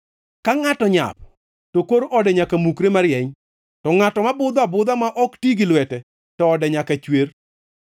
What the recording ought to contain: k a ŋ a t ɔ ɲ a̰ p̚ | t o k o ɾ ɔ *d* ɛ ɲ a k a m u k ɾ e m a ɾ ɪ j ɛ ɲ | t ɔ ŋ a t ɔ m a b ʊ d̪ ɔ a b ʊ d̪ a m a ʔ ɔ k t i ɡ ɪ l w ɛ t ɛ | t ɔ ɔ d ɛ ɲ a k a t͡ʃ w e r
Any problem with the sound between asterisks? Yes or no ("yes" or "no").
no